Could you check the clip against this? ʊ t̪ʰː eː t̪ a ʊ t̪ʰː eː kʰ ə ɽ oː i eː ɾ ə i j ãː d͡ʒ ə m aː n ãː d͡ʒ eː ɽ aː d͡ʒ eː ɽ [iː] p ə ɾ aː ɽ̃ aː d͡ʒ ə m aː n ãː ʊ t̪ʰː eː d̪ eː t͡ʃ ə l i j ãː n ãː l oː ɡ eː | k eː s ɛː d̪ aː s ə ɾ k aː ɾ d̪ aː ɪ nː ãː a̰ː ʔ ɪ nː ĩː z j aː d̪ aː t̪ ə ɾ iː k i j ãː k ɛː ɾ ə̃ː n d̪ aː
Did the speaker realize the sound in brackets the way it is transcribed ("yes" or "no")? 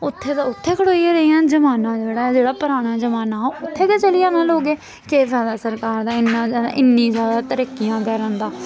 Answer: no